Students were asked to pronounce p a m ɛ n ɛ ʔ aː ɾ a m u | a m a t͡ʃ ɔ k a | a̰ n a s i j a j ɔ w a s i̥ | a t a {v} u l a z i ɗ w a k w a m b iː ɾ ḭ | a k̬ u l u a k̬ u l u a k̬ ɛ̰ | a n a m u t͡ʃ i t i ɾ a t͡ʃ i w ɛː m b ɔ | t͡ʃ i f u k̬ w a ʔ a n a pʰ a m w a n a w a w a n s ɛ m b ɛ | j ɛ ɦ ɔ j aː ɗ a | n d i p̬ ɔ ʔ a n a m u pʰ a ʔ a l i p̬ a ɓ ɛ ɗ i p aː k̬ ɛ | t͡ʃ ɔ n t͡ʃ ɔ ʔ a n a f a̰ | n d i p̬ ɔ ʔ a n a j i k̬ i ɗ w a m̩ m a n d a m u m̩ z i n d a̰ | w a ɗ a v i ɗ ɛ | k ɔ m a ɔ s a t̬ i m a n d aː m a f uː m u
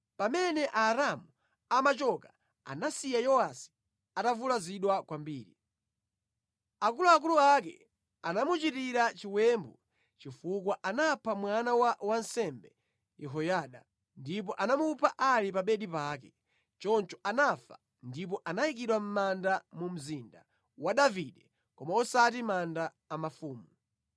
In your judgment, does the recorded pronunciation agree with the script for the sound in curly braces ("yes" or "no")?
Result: yes